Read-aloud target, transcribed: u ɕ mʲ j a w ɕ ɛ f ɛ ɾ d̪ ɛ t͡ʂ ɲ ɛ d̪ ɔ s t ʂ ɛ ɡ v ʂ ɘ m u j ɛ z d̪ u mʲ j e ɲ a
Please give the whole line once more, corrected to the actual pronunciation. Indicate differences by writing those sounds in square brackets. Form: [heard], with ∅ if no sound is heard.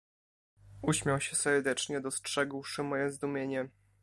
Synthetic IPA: u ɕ mʲ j a w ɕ ɛ [s] ɛ ɾ d̪ ɛ t͡ʂ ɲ ɛ d̪ ɔ s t ʂ ɛ ɡ [w] ʂ ɘ m [ɔ] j ɛ z d̪ u mʲ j e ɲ [ɛ]